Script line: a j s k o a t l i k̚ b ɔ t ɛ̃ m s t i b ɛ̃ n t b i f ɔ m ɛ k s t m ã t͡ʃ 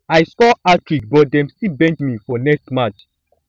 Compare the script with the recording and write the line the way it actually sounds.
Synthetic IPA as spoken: a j s k ɔ a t ɹ i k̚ b ɔ d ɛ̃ m s t i b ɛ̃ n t m i f ɔ n ɛ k s t m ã t͡ʃ